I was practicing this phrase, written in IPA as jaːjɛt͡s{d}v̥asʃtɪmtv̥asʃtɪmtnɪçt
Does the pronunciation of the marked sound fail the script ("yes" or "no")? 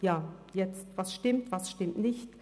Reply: yes